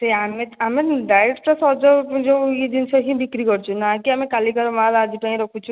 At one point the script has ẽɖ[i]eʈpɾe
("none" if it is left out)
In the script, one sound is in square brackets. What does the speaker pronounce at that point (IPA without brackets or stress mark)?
a